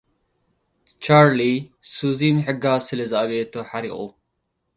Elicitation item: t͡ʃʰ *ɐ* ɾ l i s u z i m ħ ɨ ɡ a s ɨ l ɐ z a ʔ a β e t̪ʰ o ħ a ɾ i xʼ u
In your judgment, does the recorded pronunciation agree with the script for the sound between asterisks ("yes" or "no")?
no